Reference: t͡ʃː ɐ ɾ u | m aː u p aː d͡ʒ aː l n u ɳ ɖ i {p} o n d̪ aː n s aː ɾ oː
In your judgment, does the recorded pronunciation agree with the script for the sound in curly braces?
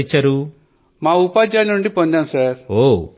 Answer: yes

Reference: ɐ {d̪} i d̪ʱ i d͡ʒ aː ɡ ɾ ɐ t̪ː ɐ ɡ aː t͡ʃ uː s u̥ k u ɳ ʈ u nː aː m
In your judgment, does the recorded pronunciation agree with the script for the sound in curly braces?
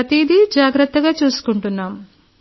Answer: no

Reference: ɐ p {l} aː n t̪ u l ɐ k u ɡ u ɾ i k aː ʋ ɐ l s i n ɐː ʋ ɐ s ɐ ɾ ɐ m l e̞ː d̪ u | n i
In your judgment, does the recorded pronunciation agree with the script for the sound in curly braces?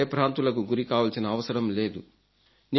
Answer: no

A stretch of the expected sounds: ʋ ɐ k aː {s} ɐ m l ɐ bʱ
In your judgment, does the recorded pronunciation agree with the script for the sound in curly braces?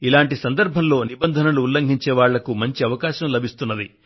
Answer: no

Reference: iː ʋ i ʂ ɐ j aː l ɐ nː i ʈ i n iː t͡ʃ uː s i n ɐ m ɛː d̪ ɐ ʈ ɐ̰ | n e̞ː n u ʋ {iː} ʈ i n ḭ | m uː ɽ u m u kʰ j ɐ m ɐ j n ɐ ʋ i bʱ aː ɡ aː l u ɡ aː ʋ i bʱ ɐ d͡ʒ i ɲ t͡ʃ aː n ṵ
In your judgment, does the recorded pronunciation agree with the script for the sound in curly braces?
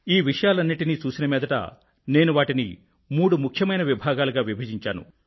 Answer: no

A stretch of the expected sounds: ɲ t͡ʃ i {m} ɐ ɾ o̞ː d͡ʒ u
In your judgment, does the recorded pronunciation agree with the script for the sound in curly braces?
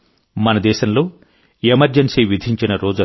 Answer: no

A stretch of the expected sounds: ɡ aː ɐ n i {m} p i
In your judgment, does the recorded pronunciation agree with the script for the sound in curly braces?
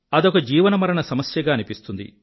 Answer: no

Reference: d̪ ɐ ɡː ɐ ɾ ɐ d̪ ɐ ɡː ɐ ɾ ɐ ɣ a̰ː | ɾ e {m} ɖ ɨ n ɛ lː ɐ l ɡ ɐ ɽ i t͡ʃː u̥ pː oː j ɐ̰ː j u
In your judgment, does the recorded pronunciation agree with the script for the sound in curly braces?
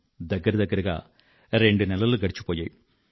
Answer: no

